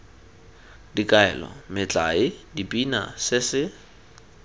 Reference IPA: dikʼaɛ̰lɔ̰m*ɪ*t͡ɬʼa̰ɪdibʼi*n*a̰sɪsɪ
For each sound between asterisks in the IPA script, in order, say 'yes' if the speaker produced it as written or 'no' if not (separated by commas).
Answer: yes, yes